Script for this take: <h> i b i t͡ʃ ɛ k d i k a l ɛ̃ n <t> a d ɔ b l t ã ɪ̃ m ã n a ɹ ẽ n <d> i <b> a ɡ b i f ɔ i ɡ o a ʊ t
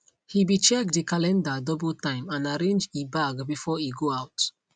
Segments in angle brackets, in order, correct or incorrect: correct, incorrect: d, incorrect: d͡ʒ, correct

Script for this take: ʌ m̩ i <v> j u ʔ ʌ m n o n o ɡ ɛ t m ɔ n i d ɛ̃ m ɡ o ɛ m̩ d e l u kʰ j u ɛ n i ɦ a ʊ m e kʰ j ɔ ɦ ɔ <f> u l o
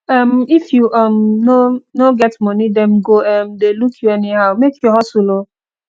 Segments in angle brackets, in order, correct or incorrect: incorrect: f, incorrect: s

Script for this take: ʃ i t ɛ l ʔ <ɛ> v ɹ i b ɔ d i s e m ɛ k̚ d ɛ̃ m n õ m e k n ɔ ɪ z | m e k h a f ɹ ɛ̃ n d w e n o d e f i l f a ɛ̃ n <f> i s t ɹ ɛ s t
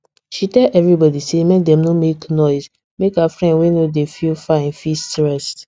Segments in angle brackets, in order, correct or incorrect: correct, correct

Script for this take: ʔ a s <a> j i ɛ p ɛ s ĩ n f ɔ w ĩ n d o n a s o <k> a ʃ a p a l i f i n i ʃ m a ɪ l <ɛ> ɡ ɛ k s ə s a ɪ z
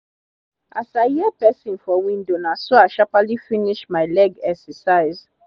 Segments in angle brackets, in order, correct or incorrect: correct, incorrect: none, correct

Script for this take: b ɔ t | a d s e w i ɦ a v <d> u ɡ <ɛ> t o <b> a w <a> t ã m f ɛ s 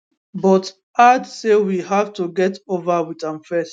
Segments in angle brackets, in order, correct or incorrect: incorrect: t, correct, incorrect: v, incorrect: i

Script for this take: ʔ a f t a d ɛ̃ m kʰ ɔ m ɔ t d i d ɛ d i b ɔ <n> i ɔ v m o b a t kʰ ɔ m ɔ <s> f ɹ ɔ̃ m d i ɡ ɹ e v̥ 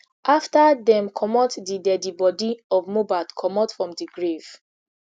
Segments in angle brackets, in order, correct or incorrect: incorrect: d, incorrect: t

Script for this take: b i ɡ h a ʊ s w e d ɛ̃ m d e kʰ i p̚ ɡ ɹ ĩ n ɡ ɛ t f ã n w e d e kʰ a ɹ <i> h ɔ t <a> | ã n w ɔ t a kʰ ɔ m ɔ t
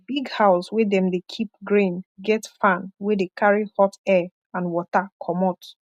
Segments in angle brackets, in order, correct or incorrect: correct, incorrect: ɛ

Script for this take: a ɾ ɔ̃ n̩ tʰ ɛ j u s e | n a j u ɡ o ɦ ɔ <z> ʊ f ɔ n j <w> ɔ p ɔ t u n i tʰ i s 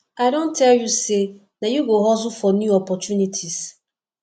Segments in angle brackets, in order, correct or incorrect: correct, incorrect: u

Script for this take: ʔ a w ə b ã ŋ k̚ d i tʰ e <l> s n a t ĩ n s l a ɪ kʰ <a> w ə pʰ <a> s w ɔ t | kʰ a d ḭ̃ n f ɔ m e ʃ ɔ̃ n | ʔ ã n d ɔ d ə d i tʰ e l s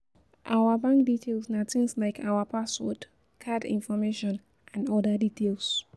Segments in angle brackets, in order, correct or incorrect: correct, correct, correct

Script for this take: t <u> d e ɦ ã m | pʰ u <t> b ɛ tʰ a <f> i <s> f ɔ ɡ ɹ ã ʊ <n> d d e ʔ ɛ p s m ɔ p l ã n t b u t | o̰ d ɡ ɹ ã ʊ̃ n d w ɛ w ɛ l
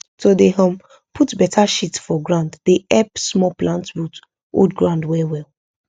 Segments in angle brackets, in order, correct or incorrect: incorrect: o, correct, incorrect: ʃ, incorrect: t, correct

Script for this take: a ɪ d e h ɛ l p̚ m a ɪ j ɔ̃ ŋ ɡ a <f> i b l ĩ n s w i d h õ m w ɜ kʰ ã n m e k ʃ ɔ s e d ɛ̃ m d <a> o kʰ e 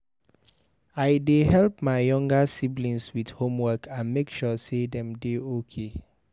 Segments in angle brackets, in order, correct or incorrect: incorrect: s, incorrect: e

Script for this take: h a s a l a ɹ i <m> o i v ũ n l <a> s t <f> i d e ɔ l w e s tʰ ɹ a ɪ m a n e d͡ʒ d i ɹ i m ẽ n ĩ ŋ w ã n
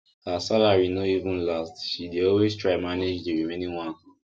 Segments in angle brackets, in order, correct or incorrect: incorrect: n, correct, incorrect: ʃ

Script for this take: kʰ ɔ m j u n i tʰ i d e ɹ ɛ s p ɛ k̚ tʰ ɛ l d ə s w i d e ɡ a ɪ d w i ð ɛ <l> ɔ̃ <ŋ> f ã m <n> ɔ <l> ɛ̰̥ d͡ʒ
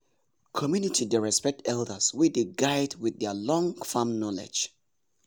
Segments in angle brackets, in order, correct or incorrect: correct, correct, correct, correct

